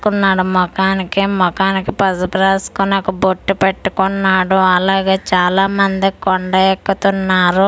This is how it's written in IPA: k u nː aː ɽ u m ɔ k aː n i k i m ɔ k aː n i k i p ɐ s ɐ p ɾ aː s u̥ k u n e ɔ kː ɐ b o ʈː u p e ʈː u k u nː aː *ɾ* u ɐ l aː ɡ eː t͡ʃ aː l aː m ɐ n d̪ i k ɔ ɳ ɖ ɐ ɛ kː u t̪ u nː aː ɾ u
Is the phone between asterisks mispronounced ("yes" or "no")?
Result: yes